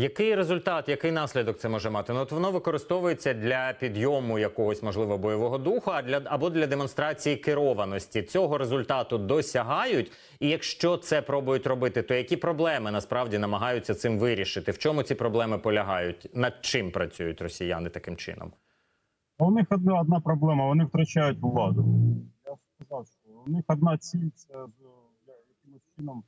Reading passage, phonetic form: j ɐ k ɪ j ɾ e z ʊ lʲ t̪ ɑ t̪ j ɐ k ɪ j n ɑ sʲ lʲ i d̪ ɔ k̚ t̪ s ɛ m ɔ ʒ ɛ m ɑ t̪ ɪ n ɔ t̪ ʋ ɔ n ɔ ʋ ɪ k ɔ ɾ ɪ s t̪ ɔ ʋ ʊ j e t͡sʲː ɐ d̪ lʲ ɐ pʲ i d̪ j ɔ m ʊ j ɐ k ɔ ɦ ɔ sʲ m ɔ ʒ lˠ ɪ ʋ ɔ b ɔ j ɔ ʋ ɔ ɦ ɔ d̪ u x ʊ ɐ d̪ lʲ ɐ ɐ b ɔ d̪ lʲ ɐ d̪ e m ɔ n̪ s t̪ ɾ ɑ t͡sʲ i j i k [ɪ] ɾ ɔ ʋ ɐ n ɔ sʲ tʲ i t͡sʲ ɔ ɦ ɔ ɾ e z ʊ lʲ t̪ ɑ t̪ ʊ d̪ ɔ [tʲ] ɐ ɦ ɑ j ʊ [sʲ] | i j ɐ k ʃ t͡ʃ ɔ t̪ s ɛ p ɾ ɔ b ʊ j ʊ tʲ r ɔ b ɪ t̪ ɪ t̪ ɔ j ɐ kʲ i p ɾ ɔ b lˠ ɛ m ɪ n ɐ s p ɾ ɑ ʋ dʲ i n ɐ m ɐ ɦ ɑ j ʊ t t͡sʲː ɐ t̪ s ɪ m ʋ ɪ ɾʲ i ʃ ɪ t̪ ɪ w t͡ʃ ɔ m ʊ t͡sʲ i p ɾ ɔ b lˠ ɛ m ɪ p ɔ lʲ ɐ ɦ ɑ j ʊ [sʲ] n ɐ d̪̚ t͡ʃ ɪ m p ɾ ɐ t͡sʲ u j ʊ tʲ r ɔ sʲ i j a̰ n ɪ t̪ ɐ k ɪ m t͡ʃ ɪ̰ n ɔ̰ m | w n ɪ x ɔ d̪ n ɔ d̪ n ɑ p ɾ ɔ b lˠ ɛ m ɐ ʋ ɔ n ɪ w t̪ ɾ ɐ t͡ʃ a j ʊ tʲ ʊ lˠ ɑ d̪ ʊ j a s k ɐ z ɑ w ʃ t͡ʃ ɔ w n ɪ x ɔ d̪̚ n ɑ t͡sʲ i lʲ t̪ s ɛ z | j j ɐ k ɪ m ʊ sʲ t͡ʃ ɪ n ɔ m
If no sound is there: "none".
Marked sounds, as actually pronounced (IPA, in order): ɪ, sʲ, tʲ, tʲ

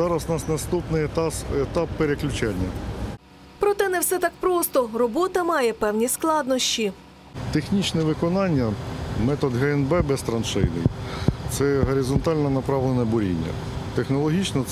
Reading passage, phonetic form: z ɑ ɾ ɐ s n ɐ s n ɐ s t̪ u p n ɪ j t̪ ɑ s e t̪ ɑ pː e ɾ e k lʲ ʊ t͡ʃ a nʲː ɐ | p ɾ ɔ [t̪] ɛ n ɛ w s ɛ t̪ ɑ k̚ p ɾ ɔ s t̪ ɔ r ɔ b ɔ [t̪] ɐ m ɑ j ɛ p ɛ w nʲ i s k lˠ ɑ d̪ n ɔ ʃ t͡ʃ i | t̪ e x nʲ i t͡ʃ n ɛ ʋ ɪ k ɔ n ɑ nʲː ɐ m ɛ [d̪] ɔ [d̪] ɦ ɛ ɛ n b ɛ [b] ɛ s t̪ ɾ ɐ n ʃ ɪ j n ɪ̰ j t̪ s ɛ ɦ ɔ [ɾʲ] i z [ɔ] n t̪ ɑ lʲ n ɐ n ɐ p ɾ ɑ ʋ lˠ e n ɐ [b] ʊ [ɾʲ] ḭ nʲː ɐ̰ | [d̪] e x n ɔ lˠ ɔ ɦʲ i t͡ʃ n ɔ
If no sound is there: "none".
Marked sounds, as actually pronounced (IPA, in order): t̪, t̪, t̪, d̪, b, ɾʲ, ɔ, b, ɾʲ, t̪

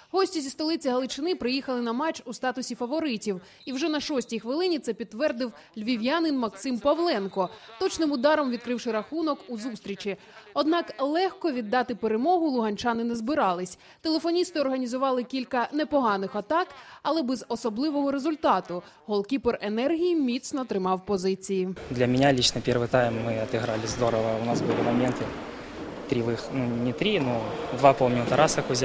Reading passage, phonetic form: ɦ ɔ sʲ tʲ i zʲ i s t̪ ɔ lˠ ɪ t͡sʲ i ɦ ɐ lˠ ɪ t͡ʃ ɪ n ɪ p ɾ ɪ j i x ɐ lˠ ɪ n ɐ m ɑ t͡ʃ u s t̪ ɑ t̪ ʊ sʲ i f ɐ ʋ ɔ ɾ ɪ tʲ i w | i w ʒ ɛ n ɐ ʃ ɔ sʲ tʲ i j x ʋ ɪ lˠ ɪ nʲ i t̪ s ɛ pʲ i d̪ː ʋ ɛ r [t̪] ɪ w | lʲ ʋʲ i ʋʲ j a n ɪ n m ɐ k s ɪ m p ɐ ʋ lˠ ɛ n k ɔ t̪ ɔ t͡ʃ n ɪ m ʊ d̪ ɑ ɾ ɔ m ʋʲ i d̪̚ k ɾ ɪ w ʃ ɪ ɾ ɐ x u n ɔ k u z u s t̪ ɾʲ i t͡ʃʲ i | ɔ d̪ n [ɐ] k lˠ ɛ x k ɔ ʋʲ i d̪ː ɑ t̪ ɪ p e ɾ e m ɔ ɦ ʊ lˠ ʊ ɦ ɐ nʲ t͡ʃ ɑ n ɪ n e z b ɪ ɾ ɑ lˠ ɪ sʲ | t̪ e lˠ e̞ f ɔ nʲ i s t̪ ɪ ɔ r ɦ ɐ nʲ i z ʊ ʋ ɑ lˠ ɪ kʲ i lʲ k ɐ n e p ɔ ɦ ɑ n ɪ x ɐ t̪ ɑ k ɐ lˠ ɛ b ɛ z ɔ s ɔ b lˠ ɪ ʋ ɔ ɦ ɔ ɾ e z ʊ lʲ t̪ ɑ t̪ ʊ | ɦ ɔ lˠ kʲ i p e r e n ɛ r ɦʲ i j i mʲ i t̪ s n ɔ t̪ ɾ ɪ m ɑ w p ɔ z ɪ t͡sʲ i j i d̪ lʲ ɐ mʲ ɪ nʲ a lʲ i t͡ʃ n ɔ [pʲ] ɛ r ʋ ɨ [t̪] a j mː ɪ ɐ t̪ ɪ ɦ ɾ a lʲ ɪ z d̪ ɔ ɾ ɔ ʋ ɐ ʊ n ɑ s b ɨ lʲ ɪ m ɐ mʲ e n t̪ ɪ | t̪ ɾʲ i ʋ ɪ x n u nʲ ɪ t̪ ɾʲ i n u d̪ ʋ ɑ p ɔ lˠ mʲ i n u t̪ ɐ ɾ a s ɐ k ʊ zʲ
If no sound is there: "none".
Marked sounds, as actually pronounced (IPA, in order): d̪, ɑ, pʲ, t̪

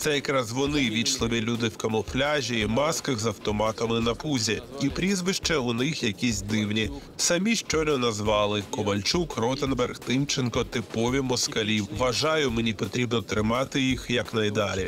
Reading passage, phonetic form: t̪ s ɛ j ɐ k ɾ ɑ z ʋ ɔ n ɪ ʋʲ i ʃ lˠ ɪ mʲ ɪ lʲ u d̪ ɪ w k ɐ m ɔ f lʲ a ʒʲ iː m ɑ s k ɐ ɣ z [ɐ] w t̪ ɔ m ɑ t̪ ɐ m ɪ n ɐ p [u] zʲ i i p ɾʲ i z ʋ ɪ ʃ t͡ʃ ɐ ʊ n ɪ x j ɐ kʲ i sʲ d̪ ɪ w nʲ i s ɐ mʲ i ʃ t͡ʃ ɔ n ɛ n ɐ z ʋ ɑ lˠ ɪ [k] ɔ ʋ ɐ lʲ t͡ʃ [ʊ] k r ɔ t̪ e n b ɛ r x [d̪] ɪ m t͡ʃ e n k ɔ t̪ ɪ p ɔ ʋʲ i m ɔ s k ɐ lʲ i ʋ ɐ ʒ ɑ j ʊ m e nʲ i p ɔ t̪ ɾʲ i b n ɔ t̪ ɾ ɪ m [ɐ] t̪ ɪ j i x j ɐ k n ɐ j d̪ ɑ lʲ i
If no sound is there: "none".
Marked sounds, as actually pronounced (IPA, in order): ɐ, u, k, u, t̪, ɑ

